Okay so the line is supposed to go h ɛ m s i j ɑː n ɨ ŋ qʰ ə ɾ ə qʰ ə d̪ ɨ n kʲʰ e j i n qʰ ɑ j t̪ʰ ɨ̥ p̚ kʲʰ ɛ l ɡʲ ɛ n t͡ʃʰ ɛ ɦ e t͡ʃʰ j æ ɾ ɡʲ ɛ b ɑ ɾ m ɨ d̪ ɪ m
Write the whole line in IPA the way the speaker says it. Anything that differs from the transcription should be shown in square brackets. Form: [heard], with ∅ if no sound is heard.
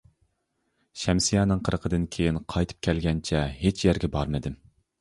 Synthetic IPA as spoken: [ʃ] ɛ m s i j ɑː n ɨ ŋ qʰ ə ɾ ə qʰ ə d̪ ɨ n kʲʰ e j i n qʰ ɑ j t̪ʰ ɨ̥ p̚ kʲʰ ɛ l ɡʲ ɛ n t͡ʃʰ ɛ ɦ e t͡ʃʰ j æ ɾ ɡʲ ɛ b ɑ ɾ m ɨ d̪ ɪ m